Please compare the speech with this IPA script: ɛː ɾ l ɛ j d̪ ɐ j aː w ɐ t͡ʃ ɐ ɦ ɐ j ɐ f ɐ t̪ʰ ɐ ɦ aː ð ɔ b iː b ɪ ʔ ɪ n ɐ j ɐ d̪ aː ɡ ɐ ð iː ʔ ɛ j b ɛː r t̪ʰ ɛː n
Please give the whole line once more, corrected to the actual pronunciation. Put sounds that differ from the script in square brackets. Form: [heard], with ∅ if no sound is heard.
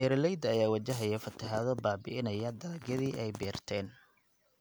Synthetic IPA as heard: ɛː ɾ l ɛ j d̪ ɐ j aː w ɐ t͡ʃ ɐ ɦ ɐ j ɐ f ɐ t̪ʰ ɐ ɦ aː ð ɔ b [aː] b ɪ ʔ ɪ n ɐ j ɐ d̪ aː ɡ ɐ ð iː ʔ ɛ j b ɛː r t̪ʰ ɛː n